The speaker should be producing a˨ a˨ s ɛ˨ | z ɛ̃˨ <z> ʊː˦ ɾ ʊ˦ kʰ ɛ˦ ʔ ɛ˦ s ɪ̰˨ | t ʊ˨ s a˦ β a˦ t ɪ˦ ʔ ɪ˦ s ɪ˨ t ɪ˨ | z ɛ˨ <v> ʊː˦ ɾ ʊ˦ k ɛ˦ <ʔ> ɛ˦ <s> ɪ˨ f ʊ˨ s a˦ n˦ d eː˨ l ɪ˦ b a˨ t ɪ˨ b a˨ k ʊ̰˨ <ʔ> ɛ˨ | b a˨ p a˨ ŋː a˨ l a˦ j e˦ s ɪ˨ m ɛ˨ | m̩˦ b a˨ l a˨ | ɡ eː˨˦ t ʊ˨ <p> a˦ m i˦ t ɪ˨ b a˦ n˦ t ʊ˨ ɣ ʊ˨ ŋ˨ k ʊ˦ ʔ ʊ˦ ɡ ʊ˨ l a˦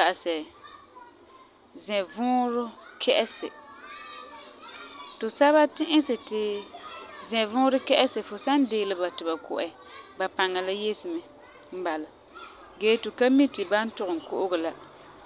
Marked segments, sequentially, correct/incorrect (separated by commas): incorrect, correct, correct, correct, correct, incorrect